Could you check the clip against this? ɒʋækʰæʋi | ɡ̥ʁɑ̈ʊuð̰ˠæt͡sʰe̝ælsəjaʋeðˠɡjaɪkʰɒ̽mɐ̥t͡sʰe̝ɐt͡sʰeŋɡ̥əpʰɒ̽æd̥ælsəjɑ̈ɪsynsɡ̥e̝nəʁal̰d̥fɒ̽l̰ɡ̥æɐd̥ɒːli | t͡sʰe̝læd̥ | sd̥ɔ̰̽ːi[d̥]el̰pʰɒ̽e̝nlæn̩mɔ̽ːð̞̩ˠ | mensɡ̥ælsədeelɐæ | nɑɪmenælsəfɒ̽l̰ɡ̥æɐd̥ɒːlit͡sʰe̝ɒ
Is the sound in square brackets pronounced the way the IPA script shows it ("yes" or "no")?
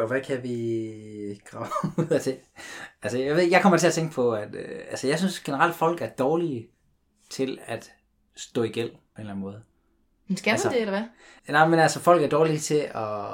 no